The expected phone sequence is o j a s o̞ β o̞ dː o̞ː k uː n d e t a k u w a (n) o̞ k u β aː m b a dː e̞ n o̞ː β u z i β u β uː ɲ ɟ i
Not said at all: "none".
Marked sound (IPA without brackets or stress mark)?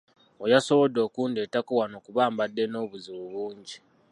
n